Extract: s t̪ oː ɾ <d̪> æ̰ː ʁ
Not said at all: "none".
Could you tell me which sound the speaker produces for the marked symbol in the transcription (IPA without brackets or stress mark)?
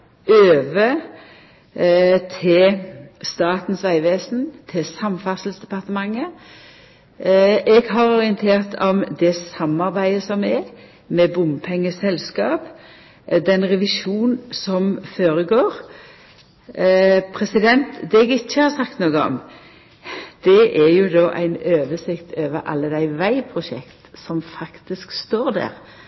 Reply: d̪